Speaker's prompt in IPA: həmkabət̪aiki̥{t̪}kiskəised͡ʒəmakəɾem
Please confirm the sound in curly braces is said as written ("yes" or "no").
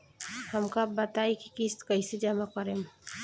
no